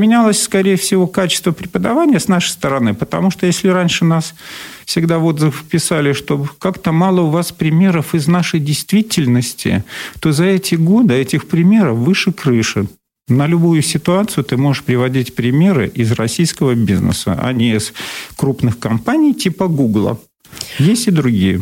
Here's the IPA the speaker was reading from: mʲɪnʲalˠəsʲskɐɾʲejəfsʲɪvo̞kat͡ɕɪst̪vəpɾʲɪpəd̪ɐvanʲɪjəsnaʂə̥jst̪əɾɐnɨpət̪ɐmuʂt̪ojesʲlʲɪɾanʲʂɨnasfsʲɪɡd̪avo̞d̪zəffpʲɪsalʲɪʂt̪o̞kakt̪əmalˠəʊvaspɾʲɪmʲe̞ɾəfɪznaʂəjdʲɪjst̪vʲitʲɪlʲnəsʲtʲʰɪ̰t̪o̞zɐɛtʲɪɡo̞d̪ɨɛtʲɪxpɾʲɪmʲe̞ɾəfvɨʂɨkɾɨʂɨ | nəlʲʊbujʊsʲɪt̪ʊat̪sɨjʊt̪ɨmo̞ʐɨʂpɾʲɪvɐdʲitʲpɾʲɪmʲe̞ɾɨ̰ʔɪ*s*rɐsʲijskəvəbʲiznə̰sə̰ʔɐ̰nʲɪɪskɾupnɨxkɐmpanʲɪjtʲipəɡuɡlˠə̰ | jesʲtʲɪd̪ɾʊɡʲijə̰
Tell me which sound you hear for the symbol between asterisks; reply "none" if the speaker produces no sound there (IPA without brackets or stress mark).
z